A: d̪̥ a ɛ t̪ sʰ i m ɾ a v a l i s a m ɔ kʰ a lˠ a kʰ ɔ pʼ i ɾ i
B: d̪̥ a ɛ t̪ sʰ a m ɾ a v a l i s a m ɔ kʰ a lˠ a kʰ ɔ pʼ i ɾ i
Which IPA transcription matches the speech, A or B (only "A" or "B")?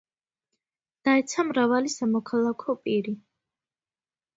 B